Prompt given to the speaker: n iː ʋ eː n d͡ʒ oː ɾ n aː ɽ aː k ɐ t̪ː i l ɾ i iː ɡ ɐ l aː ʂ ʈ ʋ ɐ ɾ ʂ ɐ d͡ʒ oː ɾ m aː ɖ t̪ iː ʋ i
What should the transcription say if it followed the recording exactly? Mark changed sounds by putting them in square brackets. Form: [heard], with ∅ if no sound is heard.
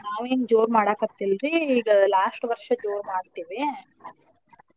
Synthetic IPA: n [aː] ʋ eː n d͡ʒ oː ɾ [m] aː ɽ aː k ɐ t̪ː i l ɾ i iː ɡ ɐ l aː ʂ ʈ ʋ ɐ ɾ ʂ ɐ d͡ʒ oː ɾ m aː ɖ t̪ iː ʋ i